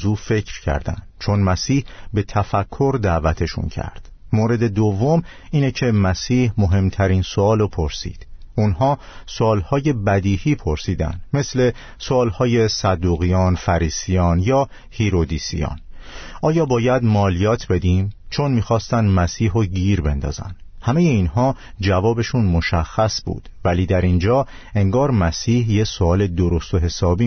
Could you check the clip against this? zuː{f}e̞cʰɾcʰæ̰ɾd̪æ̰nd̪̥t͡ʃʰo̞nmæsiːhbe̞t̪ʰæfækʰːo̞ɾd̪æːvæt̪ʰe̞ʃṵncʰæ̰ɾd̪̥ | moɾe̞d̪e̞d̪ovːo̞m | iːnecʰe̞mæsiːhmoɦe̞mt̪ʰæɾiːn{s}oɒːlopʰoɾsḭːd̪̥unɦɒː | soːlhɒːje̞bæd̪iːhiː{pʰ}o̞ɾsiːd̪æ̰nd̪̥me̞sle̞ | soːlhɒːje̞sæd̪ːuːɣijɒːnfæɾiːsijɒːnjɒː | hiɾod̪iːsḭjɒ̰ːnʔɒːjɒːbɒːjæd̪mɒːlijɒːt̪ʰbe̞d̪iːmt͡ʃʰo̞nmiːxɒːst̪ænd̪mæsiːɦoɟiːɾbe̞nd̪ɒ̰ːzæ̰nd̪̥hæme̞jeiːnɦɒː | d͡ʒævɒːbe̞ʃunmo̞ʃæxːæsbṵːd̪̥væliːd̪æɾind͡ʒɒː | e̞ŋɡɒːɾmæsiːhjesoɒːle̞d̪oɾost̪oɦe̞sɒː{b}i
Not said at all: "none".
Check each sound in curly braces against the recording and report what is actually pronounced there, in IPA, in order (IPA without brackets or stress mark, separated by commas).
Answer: f, s, pʰ, b